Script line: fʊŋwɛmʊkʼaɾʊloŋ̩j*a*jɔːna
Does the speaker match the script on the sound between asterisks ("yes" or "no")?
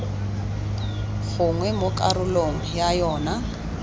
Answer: yes